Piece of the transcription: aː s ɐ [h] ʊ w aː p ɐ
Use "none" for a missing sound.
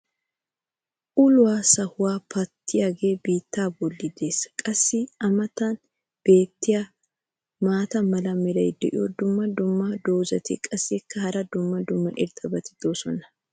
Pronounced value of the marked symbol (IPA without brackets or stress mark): h